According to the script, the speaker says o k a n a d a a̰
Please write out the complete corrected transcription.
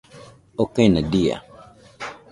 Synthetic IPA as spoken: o k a n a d i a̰